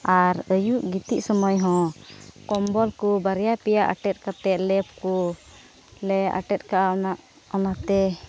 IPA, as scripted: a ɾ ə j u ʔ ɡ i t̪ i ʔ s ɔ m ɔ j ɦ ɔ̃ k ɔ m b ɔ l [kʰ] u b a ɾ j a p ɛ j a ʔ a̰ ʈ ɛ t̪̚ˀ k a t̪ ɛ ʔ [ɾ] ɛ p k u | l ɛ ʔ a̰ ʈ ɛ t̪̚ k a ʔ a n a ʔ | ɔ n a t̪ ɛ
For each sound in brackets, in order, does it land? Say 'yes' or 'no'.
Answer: no, no

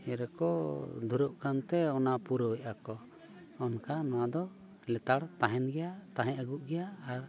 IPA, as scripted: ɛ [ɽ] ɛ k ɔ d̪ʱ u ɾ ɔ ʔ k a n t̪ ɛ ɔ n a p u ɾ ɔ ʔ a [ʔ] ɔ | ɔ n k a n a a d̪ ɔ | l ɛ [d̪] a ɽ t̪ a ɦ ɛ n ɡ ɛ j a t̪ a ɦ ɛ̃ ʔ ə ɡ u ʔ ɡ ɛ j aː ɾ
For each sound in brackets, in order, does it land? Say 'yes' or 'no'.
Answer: no, no, no

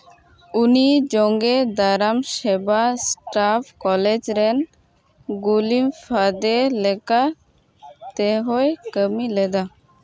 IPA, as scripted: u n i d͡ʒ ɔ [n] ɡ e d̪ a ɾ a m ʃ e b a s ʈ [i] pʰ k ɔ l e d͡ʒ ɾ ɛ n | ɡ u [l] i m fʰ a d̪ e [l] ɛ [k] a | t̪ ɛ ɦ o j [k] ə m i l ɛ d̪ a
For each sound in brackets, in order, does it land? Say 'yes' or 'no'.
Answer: no, no, yes, yes, yes, yes

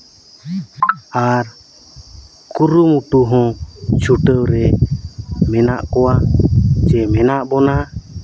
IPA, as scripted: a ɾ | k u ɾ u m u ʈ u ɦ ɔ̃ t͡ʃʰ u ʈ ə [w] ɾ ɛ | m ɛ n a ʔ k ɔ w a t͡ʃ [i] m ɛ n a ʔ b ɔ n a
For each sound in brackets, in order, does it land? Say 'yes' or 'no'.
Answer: yes, no

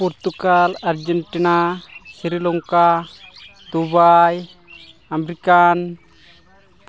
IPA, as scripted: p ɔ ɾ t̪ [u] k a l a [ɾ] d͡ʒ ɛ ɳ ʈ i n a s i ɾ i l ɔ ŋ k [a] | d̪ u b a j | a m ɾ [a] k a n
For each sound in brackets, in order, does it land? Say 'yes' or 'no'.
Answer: yes, yes, yes, no

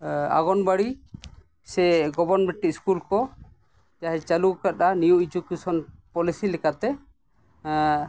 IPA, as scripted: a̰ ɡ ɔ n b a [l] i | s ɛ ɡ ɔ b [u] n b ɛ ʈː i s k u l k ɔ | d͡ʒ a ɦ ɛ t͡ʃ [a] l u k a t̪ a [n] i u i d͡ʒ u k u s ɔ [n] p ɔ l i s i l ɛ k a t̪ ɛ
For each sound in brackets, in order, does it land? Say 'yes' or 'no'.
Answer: no, no, yes, yes, yes

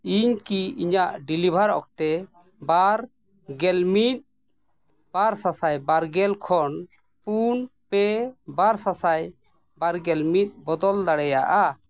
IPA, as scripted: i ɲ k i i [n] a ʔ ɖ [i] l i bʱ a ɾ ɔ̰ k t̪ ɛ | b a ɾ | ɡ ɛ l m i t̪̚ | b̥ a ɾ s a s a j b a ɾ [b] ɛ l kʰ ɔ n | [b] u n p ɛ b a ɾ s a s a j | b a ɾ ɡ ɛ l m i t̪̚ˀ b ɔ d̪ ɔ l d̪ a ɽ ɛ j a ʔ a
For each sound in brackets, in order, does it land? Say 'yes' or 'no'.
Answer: no, yes, no, no

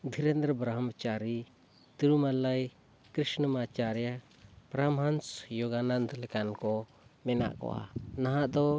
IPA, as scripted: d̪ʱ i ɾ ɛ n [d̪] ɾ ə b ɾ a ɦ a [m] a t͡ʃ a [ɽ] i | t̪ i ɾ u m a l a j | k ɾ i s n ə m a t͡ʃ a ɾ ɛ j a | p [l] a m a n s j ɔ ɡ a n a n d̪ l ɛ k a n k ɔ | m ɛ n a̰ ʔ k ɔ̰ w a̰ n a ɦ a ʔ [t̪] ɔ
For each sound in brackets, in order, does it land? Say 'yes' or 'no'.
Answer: yes, yes, no, no, no

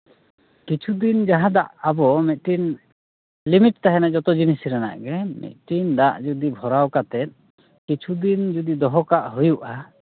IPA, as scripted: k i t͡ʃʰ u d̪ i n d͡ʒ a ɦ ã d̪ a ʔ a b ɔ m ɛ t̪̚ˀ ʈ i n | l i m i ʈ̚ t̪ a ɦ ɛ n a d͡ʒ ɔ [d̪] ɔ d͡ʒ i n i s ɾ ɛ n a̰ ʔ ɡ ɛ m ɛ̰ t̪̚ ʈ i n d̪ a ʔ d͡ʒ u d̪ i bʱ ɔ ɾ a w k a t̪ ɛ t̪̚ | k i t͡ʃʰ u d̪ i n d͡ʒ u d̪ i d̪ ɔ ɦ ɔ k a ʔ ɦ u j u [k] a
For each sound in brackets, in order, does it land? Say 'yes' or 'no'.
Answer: no, no

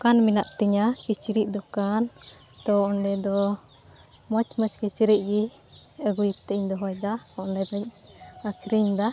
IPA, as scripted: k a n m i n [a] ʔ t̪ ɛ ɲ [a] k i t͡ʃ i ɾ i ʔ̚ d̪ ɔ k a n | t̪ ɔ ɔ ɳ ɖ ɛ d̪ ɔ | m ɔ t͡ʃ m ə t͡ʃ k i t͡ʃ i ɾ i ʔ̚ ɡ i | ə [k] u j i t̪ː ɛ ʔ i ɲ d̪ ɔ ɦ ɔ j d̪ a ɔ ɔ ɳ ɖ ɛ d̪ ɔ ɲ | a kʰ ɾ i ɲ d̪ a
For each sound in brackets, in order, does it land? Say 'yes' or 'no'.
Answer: yes, yes, no

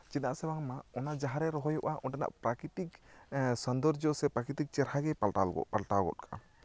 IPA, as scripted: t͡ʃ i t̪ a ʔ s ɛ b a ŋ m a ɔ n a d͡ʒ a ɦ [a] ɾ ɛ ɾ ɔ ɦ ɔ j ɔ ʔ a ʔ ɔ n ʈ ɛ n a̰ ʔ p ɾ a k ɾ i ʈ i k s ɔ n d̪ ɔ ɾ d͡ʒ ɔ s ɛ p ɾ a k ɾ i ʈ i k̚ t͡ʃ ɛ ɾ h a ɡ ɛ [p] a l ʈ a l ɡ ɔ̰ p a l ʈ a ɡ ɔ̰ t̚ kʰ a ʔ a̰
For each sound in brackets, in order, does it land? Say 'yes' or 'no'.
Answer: yes, yes

